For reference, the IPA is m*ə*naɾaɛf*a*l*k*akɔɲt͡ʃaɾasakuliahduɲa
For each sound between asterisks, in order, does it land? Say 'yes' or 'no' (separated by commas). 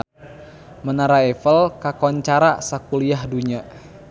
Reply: yes, no, yes